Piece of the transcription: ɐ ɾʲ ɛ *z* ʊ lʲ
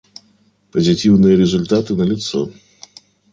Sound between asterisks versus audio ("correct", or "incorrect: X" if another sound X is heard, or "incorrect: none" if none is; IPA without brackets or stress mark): correct